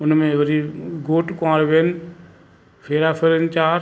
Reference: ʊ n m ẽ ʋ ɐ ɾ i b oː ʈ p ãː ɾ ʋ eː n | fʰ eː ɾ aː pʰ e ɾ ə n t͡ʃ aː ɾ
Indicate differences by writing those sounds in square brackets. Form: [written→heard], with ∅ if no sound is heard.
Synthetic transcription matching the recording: ʊ n m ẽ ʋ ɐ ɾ i [b→ɡ] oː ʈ [p→k] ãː ɾ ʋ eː n | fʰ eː ɾ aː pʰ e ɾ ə n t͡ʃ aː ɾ